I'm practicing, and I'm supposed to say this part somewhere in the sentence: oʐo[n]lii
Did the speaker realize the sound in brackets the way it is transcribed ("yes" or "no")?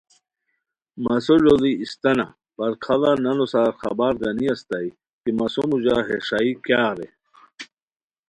no